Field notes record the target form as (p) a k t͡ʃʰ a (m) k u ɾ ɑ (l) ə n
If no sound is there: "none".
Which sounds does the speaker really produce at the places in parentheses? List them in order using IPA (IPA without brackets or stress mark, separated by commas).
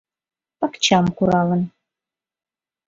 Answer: p, m, l